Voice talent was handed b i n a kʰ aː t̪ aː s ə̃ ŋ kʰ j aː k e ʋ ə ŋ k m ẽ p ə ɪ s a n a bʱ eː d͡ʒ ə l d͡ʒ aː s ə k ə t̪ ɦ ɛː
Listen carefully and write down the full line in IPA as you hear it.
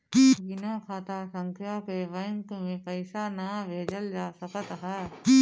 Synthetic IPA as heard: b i n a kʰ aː t̪ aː s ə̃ ŋ kʰ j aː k e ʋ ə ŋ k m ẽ p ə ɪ s a n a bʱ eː d͡ʒ ə l d͡ʒ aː s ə k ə t̪ ɦ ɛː